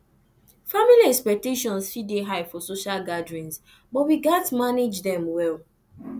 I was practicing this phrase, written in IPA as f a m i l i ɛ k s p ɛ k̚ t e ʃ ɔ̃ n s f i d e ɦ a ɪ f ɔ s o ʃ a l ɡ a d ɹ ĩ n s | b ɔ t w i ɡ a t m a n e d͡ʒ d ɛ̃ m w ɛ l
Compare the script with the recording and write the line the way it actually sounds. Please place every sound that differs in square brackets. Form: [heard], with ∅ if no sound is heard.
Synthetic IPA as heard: f a m i l i ɛ k s p ɛ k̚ t e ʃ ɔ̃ n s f i d e ɦ a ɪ f ɔ s o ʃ a l ɡ a d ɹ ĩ n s | b ɔ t w i ɡ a t m a n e d͡ʒ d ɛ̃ m w ɛ l